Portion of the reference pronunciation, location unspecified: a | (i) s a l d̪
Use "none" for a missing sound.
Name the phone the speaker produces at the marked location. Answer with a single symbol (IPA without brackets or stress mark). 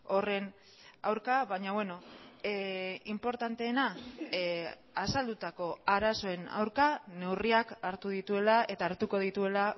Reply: a